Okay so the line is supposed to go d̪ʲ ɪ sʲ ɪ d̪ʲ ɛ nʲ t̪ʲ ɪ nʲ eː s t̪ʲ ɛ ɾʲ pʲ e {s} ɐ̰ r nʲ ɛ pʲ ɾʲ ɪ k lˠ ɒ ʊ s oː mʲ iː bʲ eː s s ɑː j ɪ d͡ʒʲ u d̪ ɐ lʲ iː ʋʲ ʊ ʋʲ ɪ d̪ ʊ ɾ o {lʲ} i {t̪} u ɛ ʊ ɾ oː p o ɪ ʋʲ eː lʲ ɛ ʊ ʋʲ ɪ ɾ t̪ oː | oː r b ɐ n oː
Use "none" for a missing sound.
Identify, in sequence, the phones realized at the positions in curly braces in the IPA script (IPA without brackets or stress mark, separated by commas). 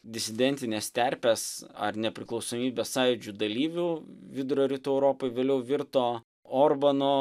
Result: s, ɾʲ, t̪